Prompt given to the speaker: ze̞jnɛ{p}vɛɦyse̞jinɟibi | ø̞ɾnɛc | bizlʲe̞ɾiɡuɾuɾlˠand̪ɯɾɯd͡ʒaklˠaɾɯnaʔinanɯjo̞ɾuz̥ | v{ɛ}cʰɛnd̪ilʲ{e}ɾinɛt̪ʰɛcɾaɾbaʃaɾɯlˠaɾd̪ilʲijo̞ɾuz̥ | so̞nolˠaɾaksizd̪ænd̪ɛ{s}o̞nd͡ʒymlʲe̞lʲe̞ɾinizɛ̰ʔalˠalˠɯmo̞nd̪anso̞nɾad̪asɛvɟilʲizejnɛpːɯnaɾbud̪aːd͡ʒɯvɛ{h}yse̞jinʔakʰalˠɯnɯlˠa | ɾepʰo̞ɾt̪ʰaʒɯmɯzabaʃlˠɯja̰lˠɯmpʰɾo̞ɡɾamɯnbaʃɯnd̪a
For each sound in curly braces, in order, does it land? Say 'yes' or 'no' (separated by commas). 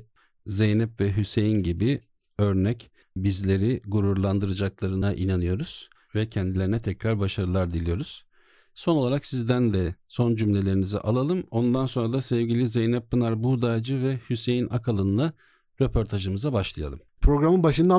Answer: yes, yes, yes, yes, yes